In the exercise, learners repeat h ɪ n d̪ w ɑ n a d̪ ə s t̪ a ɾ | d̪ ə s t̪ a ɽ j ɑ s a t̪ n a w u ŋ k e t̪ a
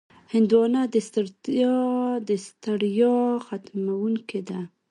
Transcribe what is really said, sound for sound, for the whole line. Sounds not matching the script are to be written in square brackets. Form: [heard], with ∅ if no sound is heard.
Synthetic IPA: h ɪ n d̪ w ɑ n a d̪ ə s t̪ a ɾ | d̪ ə s t̪ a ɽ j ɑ [x] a t̪ [m] a w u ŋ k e [d̪] a